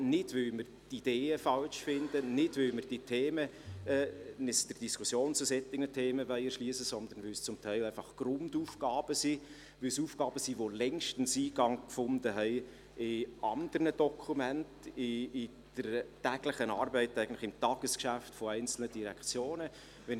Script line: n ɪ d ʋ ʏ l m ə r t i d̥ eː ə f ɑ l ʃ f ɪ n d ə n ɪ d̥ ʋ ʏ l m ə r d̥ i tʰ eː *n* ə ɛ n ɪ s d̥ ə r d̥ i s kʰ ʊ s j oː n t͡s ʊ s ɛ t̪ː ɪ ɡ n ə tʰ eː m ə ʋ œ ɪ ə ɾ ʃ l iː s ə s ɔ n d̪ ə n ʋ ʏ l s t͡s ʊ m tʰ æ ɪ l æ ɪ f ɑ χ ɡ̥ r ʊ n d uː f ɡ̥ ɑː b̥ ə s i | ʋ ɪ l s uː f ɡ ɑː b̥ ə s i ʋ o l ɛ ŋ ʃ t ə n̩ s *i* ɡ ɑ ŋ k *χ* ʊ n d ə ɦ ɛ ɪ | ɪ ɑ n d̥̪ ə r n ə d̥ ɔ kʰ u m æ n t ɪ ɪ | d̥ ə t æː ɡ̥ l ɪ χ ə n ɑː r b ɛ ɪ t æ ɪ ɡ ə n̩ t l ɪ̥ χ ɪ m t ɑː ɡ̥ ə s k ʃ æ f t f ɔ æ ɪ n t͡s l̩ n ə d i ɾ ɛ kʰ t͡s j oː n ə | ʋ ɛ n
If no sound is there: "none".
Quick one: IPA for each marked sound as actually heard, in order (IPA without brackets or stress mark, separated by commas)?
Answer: m, iː, f